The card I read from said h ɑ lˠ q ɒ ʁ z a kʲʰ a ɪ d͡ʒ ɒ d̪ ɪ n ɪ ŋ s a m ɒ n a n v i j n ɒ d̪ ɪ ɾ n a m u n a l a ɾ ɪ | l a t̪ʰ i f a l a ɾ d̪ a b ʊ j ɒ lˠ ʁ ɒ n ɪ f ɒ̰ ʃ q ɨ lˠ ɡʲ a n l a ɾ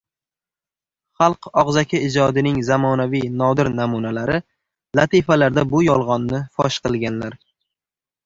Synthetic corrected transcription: χ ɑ lˠ q ɒ ʁ z a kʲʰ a ɪ d͡ʒ ɒ d̪ ɪ n ɪ ŋ z a m ɒ n a v i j n ɒ d̪ ɪ ɾ n a m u n a l a ɾ ɪ | l a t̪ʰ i f a l a ɾ d̪ a b ʊ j ɒ lˠ ʁ ɒ nː ɪ f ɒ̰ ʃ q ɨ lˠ ɡʲ a n l a ɾ

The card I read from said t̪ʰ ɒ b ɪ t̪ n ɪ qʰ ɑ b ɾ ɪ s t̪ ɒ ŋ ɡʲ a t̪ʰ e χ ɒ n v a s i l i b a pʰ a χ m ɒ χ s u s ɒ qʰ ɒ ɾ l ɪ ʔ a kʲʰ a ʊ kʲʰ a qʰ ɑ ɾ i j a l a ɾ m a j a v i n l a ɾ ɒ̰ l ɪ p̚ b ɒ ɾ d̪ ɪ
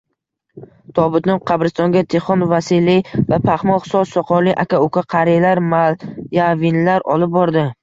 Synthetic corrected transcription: t̪ʰ ɒ b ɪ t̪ n ɪ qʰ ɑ b ɾ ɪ s t̪ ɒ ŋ ɡʲ a t̪ʰ e χ ɒ n v a s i l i v a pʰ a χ m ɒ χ s ɒ s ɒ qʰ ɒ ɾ l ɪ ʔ a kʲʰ a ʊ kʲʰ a qʰ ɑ ɾ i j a l a ɾ m a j a v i n l a ɾ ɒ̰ l ɪ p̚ b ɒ ɾ d̪ ɪ

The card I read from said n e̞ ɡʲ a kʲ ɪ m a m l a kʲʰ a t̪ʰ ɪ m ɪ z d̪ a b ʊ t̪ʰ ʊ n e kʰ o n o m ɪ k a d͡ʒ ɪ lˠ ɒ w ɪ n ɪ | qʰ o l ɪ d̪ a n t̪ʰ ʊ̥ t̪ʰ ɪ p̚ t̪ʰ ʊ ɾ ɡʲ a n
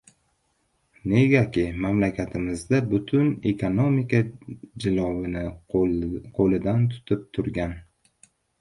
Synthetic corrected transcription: n e̞ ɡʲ a kʲ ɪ m a m l a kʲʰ a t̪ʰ ɪ m ɪ z d̪ a b ʊ t̪ʰ ʊ n e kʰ o n o m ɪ k a d͡ʒ ɪ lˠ ɒ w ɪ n ɪ | qʰ o l ɪ d̪ a n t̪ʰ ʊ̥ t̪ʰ ɪ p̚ t̪ʰ ʊ ɾ ɡʲ a n

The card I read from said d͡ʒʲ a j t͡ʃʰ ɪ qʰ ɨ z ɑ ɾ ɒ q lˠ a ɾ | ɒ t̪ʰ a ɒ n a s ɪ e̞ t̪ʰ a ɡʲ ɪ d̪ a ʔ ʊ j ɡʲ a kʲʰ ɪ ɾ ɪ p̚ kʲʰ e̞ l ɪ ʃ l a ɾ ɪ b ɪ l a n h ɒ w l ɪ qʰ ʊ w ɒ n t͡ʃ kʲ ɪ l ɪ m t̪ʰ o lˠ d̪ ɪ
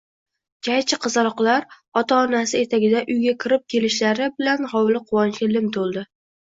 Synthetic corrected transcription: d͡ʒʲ a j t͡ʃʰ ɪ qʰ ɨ z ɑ ɾ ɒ q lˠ a ɾ | ɒ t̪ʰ a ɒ n a s ɪ e̞ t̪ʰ a ɡʲ ɪ d̪ a ʔ ʊ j ɡʲ a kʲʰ ɪ ɾ ɪ p̚ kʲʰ e̞ l ɪ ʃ l a ɾ ɪ b ɪ l a n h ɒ w l ɪ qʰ ʊ w ɒ n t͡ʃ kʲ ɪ l ɪ m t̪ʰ o lˠ d̪ ɪ

